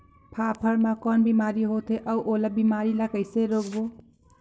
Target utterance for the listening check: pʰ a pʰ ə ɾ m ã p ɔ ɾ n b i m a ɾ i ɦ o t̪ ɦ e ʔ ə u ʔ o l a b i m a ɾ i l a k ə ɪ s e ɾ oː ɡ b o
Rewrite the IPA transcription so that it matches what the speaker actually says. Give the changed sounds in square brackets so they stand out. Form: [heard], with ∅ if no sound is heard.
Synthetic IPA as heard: pʰ a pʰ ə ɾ m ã [k] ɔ [∅] n b i m a ɾ i ɦ o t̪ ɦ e ʔ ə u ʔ o l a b i m a ɾ i l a k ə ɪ s e ɾ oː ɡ b o